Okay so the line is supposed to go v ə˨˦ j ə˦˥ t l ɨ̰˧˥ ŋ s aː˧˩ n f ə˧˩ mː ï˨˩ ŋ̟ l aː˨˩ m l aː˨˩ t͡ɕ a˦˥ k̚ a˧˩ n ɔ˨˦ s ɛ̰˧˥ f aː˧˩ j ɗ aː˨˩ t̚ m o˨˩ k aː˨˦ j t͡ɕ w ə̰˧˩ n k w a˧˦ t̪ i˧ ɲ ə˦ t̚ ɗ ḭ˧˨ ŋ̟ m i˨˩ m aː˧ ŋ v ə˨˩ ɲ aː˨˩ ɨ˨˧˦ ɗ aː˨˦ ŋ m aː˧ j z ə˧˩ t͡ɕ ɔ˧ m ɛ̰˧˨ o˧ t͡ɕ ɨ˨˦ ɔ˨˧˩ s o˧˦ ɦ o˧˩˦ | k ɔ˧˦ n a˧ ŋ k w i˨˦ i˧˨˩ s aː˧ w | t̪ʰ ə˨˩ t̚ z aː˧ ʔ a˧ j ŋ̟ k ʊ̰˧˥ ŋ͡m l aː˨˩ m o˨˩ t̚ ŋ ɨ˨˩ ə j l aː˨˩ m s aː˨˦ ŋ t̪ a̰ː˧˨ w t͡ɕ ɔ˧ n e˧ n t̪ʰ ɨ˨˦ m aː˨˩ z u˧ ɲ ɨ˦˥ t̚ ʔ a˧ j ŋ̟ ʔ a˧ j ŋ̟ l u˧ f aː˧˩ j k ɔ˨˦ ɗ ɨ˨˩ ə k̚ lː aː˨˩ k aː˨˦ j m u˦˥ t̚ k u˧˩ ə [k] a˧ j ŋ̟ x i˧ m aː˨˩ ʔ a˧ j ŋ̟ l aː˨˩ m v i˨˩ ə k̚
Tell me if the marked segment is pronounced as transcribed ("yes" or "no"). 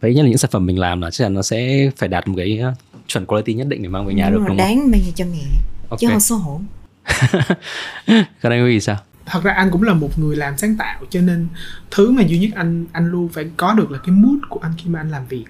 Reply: no